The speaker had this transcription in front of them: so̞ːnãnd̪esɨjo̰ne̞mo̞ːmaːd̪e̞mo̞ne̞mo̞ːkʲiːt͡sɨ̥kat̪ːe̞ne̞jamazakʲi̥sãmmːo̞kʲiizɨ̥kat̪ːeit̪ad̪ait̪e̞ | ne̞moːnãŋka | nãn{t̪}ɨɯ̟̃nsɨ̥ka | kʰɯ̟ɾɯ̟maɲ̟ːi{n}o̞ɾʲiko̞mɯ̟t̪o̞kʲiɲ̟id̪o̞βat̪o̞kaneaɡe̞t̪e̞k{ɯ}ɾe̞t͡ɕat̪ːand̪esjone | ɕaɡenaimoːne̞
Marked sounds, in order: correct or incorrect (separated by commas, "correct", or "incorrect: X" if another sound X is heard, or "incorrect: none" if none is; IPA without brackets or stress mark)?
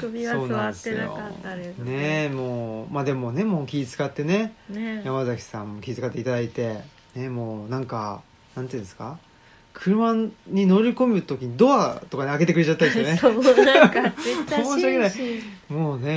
correct, correct, correct